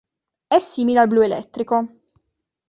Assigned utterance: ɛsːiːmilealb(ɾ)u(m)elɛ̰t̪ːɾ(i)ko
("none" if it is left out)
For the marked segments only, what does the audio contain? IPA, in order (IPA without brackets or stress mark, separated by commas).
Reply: l, none, i